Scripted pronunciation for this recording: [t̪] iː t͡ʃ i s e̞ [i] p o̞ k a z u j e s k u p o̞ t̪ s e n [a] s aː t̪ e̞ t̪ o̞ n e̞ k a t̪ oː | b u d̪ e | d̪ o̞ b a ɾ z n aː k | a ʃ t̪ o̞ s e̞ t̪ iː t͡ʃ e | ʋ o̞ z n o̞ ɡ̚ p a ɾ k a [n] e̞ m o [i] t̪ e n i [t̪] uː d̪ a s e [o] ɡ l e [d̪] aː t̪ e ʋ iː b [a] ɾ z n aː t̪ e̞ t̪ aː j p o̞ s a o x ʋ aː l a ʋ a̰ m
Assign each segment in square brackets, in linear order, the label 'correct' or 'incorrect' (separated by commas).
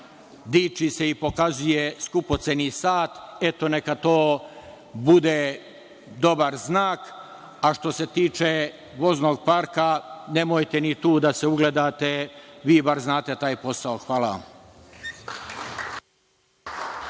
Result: incorrect, correct, incorrect, correct, incorrect, correct, incorrect, correct, correct